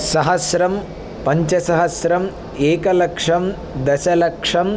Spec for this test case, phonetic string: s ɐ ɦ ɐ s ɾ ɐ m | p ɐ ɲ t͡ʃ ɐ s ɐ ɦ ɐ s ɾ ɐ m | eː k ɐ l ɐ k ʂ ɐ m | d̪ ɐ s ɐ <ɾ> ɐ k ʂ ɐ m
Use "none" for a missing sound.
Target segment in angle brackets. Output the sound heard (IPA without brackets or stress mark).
l